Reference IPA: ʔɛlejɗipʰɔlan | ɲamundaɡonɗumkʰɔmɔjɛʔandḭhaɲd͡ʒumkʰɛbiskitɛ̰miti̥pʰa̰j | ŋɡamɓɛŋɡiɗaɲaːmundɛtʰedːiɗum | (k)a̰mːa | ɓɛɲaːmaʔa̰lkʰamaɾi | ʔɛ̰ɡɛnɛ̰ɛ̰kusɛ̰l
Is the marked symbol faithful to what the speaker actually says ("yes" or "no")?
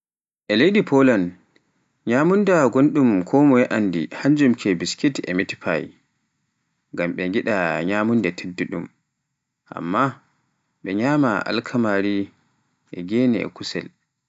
no